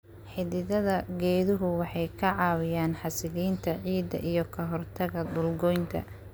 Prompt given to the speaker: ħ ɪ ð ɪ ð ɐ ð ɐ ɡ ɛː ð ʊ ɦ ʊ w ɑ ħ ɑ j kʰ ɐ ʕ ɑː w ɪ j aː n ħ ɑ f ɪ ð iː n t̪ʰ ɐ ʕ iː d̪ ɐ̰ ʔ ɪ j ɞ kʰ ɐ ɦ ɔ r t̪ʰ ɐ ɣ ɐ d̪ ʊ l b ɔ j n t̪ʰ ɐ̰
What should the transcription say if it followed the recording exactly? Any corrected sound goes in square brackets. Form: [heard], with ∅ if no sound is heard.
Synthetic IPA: ħ ɪ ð ɪ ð ɐ ð ɐ ɡ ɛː ð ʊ ɦ ʊ w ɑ ħ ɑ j kʰ ɐ ʕ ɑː w ɪ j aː n ħ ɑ [s] ɪ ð iː n t̪ʰ ɐ ʕ iː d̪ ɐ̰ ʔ [i] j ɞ kʰ ɐ ɦ ɔ r t̪ʰ ɐ ɣ ɐ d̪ ʊ l [ɡ] ɔ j n t̪ʰ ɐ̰